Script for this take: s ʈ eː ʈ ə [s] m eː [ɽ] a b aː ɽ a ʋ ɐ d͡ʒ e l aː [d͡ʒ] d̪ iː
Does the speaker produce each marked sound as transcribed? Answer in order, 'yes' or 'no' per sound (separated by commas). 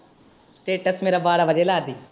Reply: yes, no, no